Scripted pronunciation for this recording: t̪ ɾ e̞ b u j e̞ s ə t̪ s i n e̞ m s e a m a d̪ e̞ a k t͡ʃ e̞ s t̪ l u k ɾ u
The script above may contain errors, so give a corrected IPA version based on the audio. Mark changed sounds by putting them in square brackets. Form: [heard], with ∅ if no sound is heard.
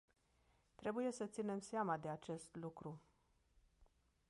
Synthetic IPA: t̪ ɾ e̞ b u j e̞ s ə t̪ s i n e̞ m s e a m a d̪ e̞ a [∅] t͡ʃ e̞ s t̪ l u k ɾ u